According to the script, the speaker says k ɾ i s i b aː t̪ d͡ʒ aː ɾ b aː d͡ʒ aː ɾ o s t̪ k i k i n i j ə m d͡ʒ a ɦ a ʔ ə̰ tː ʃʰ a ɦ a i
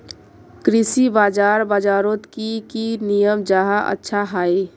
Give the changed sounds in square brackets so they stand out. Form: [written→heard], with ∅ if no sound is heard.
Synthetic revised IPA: k ɾ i s i b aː [t̪→∅] d͡ʒ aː ɾ b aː d͡ʒ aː ɾ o [s→∅] t̪ k i k i n i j ə m d͡ʒ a ɦ a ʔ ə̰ tː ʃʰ a ɦ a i